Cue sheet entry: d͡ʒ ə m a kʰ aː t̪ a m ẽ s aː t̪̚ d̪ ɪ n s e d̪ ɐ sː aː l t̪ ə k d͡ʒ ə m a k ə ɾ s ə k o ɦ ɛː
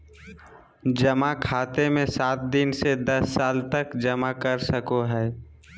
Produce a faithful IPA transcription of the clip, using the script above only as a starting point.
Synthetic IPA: d͡ʒ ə m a kʰ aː t̪ e m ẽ s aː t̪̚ d̪ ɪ n s e d̪ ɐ sː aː l t̪ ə k d͡ʒ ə m a k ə ɾ s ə k o ɦ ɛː